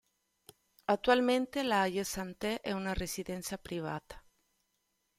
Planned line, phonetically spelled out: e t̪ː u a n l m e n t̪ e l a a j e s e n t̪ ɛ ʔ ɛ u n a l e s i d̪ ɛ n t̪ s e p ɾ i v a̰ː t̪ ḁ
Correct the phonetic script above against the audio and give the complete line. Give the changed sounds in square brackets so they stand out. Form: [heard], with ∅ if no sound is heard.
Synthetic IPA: [a] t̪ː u a [∅] l m e n t̪ e l a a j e s [a] n t̪ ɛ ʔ ɛ u n a [r] e s i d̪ ɛ n t̪ s [a] p ɾ i v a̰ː t̪ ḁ